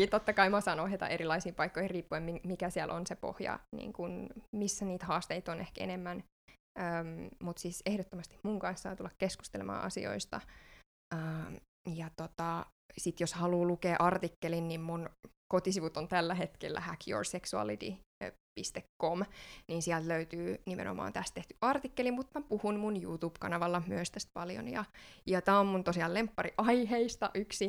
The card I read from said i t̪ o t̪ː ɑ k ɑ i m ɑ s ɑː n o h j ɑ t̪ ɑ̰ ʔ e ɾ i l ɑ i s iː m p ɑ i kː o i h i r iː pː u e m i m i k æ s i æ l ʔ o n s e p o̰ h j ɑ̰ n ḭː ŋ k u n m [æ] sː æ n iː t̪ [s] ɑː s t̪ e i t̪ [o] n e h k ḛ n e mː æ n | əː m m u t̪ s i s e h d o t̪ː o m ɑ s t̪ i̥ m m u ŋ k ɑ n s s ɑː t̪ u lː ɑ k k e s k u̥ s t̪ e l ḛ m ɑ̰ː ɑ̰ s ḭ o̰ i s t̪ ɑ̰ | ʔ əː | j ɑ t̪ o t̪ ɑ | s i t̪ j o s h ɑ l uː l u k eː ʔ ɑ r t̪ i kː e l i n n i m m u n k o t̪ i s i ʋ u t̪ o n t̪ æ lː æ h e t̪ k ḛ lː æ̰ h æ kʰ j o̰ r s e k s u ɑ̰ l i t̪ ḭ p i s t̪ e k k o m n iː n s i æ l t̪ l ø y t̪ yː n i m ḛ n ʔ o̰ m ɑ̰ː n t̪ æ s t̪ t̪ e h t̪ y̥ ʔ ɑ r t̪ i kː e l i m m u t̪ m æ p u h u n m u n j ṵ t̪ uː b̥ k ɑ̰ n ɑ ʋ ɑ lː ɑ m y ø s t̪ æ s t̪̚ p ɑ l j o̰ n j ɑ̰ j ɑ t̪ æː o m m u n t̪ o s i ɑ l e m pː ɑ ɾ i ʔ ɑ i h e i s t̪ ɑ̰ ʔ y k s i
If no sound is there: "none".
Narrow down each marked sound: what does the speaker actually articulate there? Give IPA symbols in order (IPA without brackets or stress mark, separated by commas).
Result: i, h, o